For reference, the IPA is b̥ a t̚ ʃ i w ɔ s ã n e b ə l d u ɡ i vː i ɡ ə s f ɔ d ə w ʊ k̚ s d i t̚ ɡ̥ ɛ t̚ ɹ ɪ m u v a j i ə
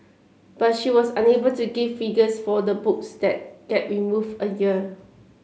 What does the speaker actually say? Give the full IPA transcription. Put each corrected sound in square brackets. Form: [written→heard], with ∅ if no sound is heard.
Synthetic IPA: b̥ a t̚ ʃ i w ɔ s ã n e b ə l [d→t] u ɡ i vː i ɡ ə s f ɔ d ə [w→b] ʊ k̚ s d [i→ɛ] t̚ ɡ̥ ɛ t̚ ɹ [ɪ→i] m u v [a→ə] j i ə